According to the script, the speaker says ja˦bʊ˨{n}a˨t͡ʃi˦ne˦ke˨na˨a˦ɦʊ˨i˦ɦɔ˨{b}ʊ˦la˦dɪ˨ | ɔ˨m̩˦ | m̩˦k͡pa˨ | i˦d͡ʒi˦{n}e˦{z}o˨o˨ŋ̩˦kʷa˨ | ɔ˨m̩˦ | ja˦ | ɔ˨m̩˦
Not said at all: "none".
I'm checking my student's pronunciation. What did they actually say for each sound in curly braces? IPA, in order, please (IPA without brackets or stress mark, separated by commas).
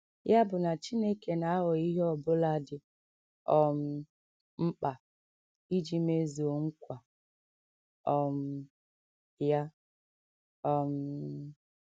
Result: n, b, m, z